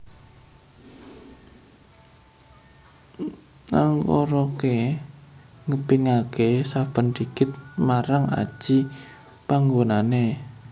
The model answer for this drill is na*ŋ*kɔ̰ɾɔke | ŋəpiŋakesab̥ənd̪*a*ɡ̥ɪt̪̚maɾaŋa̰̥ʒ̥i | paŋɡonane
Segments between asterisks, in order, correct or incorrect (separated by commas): correct, incorrect